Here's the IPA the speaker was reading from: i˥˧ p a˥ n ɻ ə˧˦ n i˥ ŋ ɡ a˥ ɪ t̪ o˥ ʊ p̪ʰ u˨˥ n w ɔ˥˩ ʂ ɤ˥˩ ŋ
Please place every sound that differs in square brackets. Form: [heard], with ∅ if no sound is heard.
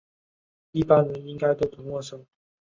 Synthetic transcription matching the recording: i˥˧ p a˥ n ɻ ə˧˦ n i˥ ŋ [k] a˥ ɪ t̪ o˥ ʊ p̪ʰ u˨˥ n w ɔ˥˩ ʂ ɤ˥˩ ŋ